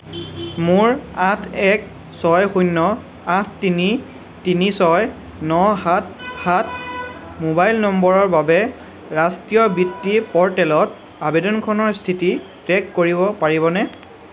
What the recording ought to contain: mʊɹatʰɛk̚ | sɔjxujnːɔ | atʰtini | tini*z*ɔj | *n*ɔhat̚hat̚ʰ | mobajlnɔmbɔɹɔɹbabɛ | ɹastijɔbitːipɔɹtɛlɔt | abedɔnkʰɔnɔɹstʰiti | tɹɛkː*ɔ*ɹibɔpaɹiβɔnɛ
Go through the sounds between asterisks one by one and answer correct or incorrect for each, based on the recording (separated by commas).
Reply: incorrect, correct, incorrect